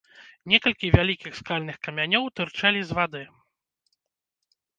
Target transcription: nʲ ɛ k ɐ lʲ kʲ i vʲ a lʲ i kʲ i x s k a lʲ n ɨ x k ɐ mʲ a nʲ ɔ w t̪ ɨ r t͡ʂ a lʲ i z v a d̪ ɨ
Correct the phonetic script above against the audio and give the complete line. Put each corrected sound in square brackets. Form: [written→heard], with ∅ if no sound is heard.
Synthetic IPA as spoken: nʲ ɛ k ɐ lʲ kʲ i vʲ a lʲ i kʲ i x s k a lʲ n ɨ x k ɐ mʲ a nʲ ɔ w t̪ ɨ r t͡ʂ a lʲ i z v a d̪ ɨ